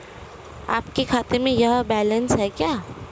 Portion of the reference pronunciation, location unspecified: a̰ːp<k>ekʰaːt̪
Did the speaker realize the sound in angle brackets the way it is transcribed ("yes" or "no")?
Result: yes